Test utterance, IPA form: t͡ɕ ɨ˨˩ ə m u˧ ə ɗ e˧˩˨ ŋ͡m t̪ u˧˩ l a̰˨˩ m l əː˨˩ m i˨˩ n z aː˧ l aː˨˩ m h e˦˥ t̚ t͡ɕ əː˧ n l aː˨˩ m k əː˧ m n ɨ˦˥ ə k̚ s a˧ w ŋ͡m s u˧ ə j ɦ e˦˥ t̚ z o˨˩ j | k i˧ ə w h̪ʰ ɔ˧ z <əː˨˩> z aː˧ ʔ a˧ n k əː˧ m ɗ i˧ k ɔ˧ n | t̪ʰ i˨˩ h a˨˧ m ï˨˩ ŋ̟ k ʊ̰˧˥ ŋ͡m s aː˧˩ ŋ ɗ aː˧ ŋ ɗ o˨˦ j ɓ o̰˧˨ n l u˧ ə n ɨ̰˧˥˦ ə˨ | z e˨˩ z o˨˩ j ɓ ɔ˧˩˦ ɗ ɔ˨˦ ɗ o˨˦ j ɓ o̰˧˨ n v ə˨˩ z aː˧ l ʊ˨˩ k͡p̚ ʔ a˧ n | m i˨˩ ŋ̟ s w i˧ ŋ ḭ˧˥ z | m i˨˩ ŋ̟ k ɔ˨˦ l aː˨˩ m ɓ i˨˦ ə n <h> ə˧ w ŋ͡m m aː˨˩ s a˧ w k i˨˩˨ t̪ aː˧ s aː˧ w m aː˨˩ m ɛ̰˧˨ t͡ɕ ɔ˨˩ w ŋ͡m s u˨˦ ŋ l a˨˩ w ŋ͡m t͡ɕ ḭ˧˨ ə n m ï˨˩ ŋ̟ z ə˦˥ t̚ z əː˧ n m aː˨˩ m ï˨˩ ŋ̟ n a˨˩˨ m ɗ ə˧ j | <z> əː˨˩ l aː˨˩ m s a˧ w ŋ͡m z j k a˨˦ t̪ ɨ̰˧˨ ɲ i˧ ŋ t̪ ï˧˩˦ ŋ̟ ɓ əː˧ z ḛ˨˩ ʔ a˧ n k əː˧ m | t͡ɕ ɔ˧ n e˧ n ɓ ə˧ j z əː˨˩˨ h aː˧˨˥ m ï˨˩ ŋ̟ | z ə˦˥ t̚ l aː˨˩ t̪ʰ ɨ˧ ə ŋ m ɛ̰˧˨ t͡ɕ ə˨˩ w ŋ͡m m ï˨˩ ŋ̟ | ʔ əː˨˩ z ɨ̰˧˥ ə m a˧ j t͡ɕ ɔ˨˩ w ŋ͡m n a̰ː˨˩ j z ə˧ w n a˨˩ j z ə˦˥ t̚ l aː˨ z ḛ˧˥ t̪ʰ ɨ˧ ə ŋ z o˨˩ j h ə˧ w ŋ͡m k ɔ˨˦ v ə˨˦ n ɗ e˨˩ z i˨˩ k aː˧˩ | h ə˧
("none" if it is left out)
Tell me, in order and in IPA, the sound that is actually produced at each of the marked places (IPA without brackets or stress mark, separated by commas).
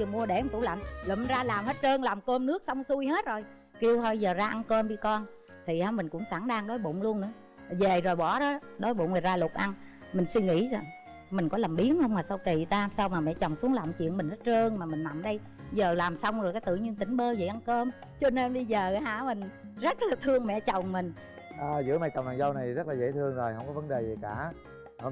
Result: əː˨˩, h, z